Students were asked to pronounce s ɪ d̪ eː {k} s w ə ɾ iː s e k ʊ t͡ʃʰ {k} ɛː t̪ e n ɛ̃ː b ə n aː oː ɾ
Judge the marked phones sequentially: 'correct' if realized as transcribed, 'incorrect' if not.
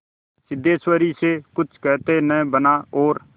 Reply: incorrect, correct

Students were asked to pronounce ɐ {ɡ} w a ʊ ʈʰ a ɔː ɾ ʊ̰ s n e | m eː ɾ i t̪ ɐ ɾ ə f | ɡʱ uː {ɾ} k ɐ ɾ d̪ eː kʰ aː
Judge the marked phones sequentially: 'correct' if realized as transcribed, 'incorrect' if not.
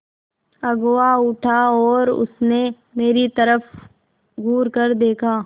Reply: correct, correct

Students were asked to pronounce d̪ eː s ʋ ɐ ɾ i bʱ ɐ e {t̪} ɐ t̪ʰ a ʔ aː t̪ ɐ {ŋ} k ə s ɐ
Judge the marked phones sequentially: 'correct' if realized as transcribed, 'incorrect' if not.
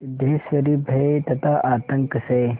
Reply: correct, correct

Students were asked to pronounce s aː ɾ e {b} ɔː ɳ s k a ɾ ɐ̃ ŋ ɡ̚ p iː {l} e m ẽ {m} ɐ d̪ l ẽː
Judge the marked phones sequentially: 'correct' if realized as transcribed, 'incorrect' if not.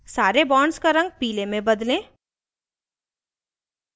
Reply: correct, correct, incorrect

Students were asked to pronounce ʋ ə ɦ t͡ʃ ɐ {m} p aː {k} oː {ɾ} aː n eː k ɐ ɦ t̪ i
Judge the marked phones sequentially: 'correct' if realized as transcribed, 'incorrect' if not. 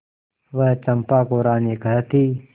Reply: correct, correct, correct

